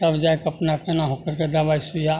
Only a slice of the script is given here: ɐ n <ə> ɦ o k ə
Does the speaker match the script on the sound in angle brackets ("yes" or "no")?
no